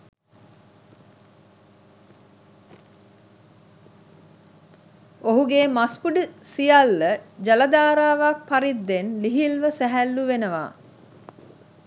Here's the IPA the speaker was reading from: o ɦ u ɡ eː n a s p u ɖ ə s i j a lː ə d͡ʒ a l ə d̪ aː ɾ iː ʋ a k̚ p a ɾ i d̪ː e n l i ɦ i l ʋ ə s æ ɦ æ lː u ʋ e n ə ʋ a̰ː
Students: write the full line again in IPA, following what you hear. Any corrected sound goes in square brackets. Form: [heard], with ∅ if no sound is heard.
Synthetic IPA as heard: o ɦ u ɡ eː [m] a s p u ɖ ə s i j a lː ə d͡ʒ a l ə d̪ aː ɾ [aː] ʋ a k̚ p a ɾ i d̪ː e n l i ɦ i l ʋ ə s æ ɦ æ lː u ʋ e n ə ʋ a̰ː